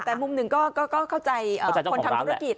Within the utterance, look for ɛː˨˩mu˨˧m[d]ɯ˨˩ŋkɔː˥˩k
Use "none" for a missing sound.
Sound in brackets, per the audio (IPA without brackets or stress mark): n